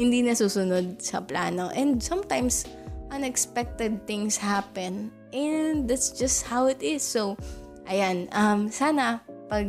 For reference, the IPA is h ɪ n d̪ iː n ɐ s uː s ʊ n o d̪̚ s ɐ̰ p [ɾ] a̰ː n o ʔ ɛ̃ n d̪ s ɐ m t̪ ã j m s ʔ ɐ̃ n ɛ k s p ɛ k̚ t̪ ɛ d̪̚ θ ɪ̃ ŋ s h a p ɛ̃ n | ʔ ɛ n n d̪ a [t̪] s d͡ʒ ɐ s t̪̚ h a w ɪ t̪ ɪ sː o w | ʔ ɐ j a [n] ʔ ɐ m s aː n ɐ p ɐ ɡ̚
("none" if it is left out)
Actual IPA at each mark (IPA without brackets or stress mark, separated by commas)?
l, t̪, n